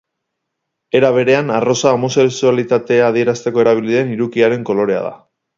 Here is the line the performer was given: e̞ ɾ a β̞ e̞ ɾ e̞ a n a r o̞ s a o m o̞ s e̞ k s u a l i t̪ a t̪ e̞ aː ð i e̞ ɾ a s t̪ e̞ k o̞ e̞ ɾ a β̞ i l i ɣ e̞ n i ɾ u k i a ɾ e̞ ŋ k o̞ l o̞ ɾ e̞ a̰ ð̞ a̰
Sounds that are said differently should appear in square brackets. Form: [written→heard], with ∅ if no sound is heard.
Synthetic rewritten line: e̞ ɾ a β̞ e̞ ɾ e̞ a n a r o̞ s a o m o̞ s e̞ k s u a l i t̪ a t̪ e̞ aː ð i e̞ ɾ a s t̪ e̞ k o̞ e̞ ɾ a β̞ i l i [ɣ→ð] e̞ n i ɾ u k i a ɾ e̞ ŋ k o̞ l o̞ ɾ e̞ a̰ ð̞ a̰